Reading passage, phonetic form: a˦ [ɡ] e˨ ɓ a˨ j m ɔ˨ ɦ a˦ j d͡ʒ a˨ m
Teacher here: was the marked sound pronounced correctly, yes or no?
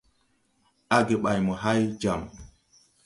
yes